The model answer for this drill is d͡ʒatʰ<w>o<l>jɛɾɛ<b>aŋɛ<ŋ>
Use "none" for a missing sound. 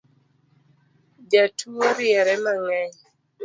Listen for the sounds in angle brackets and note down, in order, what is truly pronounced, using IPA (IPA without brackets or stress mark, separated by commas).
u, ɾ, m, ɲ